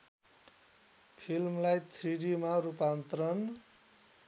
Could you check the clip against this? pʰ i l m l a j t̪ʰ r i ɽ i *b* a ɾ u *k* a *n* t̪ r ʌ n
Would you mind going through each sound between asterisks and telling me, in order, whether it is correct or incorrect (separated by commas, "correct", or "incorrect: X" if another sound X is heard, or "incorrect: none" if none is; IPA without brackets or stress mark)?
incorrect: m, incorrect: p, correct